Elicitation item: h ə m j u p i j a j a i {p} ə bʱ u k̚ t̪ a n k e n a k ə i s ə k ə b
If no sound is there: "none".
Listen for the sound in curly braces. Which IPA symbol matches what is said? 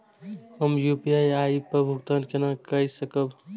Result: p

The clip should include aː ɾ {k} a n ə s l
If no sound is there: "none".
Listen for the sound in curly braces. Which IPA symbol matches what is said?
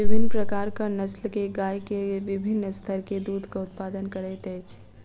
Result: k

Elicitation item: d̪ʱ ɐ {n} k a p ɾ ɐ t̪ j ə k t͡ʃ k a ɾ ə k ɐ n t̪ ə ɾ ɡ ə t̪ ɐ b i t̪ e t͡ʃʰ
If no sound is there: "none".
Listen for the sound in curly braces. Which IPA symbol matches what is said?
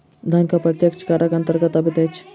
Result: n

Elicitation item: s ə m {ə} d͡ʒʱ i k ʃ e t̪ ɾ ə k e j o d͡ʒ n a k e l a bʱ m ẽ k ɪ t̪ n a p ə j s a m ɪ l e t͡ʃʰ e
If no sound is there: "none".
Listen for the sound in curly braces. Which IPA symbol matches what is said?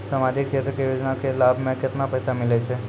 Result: a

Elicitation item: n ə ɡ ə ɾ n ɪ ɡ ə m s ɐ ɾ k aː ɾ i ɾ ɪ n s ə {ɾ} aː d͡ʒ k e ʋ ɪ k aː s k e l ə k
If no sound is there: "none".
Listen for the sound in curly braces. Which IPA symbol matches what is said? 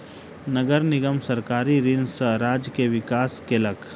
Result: ɾ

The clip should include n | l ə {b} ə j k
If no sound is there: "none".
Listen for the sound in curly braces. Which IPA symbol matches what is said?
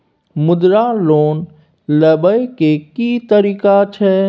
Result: b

